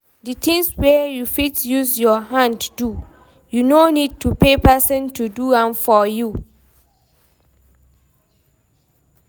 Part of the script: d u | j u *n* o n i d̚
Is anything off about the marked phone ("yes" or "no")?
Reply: no